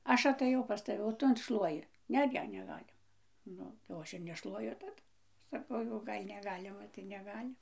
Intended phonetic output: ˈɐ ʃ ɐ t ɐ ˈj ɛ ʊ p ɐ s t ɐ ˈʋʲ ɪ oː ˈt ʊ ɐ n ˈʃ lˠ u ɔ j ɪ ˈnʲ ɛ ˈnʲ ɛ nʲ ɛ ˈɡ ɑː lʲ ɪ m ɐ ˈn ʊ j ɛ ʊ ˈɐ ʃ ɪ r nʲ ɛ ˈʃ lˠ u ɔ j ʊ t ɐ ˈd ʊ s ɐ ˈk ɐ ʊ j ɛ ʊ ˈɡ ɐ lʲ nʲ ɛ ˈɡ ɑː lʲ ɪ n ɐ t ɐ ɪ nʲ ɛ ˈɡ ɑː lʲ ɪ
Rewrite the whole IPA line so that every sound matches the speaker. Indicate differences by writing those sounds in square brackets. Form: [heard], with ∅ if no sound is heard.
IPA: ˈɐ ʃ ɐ t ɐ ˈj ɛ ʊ p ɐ s t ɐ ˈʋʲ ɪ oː ˈt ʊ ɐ n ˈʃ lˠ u ɔ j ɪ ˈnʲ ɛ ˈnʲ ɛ nʲ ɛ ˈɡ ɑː lʲ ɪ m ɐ ˈn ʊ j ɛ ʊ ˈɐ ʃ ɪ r nʲ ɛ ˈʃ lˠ u ɔ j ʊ t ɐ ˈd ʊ s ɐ ˈk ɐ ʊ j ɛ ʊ ˈɡ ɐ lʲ nʲ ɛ ˈɡ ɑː lʲ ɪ [m] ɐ t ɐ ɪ nʲ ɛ ˈɡ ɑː lʲ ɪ